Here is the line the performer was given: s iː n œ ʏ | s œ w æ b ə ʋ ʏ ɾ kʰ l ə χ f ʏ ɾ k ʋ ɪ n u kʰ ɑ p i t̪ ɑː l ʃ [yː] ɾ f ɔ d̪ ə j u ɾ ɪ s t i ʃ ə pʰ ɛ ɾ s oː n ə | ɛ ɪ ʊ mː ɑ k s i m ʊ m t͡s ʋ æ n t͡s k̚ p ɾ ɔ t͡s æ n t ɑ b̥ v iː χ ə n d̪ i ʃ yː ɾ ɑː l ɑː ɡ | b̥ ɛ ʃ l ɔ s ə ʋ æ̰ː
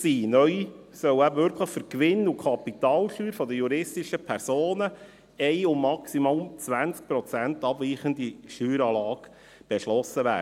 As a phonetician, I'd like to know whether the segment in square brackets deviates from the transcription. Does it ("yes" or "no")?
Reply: no